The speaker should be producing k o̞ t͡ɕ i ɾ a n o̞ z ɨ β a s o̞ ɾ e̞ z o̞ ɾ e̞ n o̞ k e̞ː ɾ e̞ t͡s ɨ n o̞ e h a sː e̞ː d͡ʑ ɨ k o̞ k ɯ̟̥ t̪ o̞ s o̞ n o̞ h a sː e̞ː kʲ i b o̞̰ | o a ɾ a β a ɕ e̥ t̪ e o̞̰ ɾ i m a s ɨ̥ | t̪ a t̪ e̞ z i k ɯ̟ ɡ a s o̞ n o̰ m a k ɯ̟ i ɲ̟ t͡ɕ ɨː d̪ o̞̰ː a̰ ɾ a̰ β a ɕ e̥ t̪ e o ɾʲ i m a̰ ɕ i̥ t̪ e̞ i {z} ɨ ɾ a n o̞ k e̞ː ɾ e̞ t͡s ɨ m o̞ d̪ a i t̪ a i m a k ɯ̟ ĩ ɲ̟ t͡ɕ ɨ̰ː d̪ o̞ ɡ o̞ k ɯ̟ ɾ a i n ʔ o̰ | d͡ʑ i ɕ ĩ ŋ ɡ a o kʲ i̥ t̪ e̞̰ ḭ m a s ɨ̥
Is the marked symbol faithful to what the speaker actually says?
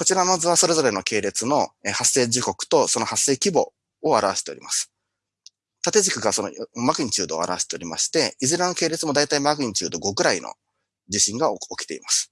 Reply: yes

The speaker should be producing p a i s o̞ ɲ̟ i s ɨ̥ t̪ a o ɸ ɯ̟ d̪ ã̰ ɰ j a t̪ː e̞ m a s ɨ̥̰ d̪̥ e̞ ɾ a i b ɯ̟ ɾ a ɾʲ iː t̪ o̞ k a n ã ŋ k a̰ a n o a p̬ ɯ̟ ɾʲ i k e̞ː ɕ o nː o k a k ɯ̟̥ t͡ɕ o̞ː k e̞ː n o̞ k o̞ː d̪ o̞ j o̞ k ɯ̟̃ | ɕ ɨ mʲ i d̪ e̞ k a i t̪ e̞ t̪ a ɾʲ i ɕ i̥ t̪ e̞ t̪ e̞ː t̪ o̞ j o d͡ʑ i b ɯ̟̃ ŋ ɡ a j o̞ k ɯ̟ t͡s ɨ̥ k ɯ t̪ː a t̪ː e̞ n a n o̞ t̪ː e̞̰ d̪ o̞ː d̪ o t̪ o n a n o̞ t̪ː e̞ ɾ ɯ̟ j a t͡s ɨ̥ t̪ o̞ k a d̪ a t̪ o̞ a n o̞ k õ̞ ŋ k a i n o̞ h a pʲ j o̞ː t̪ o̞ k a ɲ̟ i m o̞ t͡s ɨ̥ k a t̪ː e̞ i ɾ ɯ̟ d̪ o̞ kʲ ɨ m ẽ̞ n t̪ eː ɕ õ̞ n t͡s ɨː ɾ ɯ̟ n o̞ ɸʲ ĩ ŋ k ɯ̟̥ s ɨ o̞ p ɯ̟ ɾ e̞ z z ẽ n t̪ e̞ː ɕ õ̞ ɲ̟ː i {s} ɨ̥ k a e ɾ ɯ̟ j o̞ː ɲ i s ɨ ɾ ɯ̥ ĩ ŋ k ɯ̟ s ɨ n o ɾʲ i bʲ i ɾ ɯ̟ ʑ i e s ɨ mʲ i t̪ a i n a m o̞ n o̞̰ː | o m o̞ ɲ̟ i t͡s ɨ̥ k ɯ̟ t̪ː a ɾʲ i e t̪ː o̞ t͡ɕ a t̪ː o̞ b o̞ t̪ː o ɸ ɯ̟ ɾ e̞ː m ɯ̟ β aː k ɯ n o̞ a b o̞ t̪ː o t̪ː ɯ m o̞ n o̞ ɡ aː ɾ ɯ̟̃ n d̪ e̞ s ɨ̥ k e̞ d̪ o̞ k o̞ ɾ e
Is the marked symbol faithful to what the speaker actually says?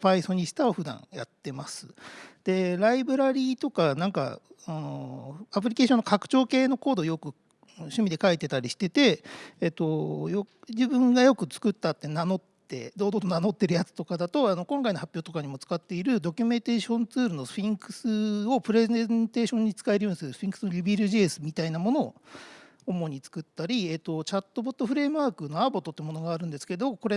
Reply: no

